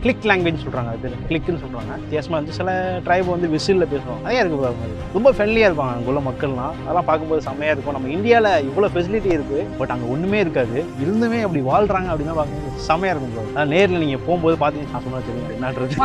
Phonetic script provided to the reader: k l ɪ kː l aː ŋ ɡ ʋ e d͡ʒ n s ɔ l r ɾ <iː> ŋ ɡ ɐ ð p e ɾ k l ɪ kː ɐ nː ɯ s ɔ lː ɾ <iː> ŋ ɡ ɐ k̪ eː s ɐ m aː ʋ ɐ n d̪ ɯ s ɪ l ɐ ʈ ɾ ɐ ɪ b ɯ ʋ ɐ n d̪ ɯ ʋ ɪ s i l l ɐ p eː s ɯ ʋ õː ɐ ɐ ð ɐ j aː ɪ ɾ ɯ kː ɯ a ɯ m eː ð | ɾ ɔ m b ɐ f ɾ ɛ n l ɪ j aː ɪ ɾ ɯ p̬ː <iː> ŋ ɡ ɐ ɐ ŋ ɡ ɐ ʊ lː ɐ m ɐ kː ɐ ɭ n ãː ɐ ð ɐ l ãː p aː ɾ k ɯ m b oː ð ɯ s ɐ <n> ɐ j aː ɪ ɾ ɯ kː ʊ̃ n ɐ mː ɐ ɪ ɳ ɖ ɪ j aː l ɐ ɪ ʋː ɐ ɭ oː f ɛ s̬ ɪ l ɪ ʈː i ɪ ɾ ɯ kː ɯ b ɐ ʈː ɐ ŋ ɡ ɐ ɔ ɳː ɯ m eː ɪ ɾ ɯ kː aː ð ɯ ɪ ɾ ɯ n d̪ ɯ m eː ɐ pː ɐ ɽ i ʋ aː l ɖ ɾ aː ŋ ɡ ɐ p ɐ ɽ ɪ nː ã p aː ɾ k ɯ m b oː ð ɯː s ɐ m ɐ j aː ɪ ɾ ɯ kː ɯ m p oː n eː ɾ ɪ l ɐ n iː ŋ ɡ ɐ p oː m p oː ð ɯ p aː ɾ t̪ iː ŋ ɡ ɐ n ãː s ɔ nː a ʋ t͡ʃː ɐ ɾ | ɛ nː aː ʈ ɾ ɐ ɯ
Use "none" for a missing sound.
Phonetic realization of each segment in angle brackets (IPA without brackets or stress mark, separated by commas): aː, aː, aː, m